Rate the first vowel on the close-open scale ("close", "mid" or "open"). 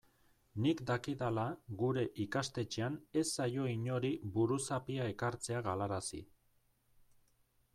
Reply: close